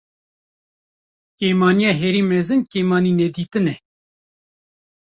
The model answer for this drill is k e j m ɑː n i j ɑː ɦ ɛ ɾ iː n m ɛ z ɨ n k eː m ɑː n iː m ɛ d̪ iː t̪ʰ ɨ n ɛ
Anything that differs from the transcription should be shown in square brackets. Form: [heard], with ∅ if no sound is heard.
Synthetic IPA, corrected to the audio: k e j m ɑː n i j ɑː ɦ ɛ ɾ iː [∅] m ɛ z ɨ n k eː m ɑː n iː [n] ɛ d̪ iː [t̪] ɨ n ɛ